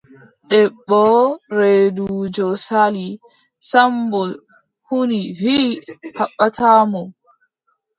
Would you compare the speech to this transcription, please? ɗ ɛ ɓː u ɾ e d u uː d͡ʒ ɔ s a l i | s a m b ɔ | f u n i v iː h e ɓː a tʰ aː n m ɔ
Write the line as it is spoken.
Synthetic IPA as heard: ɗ ɛ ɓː ɔ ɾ e d u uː d͡ʒ ɔ s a l i | s a m b ɔ | h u n i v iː h a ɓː a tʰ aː m ɔ